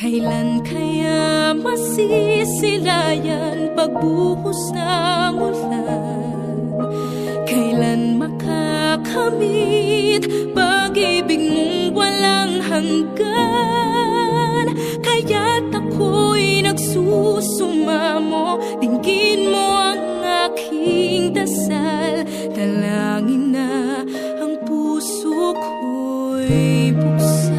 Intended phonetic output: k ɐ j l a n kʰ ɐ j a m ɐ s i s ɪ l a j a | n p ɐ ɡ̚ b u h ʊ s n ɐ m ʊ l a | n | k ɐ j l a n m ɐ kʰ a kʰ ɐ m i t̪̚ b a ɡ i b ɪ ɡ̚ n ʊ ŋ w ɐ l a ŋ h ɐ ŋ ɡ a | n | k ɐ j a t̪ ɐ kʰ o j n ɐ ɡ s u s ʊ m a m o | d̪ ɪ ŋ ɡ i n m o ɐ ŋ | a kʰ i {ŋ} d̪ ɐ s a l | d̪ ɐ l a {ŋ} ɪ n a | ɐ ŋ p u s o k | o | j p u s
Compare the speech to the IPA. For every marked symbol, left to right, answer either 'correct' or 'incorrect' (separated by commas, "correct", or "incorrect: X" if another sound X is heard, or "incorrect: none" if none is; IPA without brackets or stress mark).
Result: correct, correct